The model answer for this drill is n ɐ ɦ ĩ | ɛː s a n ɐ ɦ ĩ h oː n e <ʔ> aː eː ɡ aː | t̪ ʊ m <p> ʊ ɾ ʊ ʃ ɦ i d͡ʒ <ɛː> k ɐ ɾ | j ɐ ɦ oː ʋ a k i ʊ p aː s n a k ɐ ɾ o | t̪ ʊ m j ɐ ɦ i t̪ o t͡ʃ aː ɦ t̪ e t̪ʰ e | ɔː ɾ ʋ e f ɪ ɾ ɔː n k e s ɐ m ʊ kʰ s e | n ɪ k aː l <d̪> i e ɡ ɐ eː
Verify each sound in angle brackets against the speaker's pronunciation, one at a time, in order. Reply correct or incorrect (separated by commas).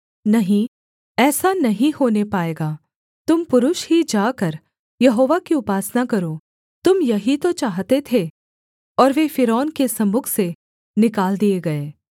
incorrect, correct, incorrect, correct